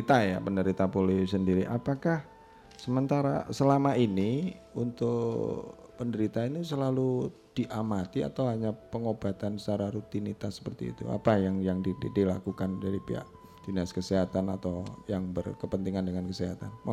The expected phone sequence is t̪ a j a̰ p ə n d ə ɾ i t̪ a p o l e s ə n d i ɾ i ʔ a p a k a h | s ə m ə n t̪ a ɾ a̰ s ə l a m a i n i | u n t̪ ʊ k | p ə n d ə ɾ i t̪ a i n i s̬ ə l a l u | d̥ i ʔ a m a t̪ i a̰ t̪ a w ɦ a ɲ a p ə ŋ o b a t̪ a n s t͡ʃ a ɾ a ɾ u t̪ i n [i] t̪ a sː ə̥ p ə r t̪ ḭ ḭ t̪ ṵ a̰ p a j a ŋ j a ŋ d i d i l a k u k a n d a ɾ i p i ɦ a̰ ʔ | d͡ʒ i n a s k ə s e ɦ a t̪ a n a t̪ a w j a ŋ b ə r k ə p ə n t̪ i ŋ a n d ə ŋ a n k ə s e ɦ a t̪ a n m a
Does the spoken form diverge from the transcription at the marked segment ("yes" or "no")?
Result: no